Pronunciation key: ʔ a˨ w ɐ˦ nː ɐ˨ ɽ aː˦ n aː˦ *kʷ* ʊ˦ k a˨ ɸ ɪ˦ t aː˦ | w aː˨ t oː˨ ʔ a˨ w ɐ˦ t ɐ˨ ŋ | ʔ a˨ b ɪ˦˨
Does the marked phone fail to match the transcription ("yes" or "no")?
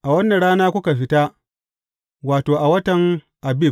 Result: no